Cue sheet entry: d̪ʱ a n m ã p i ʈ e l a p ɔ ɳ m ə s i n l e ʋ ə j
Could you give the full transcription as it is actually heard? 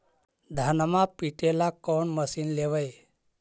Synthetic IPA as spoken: d̪ʱ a n m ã p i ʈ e l a k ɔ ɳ m ə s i n l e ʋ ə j